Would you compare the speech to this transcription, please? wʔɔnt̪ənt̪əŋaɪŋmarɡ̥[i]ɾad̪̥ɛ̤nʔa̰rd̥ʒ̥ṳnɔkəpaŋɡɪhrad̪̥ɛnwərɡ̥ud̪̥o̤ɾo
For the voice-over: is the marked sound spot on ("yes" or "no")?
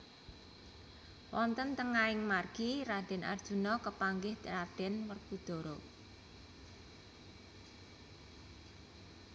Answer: yes